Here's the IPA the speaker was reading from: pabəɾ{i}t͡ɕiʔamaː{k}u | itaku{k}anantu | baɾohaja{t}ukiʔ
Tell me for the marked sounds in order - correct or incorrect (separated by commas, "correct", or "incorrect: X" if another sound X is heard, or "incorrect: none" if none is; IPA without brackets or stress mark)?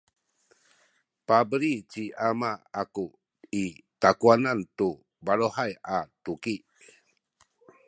correct, correct, incorrect: none, correct